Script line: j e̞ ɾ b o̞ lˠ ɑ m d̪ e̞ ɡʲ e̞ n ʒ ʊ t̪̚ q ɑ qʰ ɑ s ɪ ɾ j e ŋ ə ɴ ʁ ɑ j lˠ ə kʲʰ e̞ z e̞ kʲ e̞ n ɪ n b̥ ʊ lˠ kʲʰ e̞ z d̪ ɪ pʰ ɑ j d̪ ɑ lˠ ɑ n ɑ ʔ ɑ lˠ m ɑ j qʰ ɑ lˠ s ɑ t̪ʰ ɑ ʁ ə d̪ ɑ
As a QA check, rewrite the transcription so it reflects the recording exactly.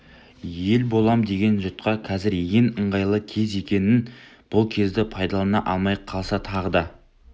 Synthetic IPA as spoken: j e̞ l b o̞ lˠ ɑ m d̪ e̞ ɡʲ e̞ n ʒ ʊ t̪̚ q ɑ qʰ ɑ z ɪ ɾ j e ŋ ə ɴ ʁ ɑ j lˠ ə kʲʰ e̞ z e̞ kʲ e̞ n ɪ n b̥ ʊ lˠ kʲʰ e̞ z d̪ ɪ pʰ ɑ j d̪ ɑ lˠ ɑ n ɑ ʔ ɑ lˠ m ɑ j qʰ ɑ lˠ s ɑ t̪ʰ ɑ ʁ ə d̪ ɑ